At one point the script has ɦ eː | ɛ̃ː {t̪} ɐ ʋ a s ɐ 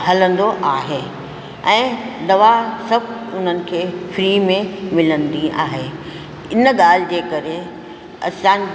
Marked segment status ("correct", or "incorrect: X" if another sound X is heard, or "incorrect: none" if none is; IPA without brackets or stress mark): incorrect: d̪